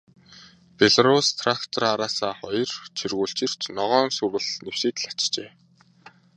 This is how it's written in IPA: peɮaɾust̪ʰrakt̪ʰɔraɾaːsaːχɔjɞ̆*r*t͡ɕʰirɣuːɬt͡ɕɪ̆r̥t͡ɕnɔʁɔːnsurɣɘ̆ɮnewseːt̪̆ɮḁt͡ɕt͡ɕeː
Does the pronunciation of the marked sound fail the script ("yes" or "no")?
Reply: no